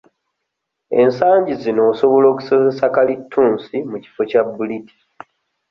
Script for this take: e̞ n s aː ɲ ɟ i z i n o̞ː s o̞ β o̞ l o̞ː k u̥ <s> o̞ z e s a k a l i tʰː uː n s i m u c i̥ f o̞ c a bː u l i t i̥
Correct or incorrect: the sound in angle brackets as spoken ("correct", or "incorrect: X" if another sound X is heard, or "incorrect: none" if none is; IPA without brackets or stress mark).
correct